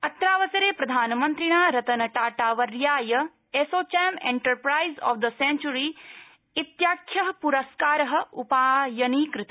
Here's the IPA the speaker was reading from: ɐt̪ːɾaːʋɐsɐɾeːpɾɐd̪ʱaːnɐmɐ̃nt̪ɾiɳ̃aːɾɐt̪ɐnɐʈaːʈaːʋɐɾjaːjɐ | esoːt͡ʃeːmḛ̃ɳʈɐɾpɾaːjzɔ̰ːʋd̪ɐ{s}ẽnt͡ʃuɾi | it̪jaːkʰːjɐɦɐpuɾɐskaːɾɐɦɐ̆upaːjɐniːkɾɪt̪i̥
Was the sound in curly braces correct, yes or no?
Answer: yes